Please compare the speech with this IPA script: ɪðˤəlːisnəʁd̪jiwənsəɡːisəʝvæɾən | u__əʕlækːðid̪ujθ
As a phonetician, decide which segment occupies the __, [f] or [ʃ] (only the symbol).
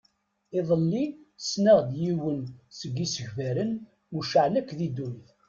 ʃ